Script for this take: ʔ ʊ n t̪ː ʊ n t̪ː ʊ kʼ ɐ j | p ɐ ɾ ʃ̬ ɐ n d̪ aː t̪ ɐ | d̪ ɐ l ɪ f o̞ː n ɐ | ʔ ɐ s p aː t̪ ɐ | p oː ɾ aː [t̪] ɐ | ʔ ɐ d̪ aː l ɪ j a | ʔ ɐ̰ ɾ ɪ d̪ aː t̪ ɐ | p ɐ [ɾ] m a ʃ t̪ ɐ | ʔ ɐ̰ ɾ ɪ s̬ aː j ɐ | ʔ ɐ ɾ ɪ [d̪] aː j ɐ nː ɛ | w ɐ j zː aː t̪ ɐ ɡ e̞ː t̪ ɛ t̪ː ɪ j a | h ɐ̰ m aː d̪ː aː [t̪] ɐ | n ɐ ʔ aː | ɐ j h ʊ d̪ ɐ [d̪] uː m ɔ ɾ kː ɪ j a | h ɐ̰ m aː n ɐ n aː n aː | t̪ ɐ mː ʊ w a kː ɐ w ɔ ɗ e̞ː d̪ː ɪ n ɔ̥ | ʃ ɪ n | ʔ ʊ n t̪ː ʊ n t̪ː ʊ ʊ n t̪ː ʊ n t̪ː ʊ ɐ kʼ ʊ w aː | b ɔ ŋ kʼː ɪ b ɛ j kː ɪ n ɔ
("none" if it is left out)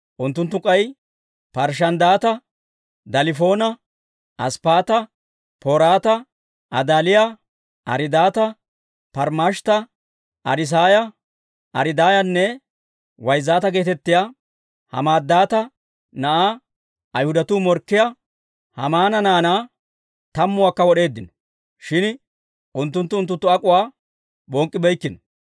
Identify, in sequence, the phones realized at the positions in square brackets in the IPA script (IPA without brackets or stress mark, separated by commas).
t̪, ɾ, d̪, t̪, t̪